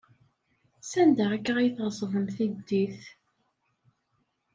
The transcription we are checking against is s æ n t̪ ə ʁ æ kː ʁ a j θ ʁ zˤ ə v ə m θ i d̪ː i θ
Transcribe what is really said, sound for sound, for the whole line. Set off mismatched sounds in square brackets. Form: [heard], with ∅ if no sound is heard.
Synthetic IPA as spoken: s æ n [d̪] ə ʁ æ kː ʁ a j θ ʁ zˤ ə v ə m θ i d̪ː i θ